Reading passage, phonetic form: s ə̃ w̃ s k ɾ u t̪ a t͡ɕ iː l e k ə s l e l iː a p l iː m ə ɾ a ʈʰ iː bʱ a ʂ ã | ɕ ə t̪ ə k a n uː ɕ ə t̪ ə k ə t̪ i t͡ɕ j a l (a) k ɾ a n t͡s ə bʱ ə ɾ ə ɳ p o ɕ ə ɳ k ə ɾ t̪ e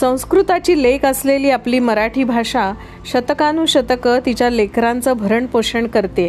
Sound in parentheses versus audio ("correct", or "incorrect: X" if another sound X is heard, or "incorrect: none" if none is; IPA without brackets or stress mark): incorrect: e